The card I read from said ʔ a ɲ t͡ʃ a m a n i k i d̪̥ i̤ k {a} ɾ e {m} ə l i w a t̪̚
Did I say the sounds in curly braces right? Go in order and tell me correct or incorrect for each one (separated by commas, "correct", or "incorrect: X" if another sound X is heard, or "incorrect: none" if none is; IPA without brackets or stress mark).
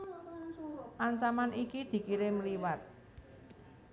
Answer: incorrect: i, correct